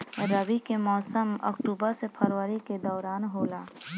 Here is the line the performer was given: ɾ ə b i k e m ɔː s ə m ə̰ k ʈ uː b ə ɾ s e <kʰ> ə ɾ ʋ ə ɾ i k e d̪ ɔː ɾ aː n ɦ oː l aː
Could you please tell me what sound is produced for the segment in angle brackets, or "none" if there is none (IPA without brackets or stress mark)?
pʰ